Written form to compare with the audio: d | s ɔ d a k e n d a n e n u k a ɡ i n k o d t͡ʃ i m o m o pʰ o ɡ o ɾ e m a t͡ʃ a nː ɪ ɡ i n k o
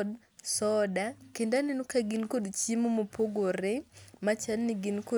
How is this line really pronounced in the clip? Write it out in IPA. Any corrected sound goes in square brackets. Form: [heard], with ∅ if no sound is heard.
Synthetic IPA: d | s ɔ d a k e n d a n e n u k a ɡ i n k o d t͡ʃ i m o m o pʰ o ɡ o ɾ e m a t͡ʃ a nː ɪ ɡ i n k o